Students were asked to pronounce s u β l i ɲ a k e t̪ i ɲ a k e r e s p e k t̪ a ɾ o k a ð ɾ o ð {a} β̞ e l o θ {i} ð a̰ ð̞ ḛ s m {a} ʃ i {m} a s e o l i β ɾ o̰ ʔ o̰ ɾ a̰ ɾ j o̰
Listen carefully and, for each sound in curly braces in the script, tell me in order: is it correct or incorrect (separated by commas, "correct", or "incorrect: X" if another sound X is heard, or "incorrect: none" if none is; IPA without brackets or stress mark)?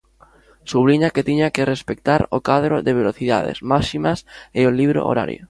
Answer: incorrect: e, correct, correct, correct